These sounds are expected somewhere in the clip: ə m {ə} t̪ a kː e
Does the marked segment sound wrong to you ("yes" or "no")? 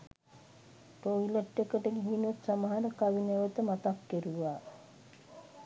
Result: yes